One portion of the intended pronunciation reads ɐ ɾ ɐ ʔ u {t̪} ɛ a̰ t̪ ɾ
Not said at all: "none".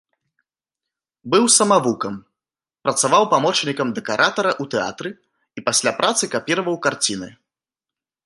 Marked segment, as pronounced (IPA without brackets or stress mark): t̪